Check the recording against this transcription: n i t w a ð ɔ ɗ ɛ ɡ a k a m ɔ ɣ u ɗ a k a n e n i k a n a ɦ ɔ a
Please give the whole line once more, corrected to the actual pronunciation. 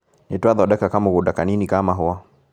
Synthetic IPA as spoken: n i t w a ð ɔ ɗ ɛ k a k a m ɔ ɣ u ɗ a k a n i n i k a m a ɦ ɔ a